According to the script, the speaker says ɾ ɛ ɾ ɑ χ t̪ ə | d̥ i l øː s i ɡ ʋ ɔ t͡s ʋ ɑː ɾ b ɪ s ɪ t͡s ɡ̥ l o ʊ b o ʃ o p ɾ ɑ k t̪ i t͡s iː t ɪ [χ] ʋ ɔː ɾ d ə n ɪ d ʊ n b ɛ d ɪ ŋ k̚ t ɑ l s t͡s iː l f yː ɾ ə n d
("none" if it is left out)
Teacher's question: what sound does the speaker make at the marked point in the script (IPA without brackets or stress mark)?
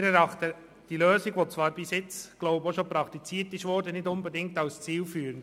ʃ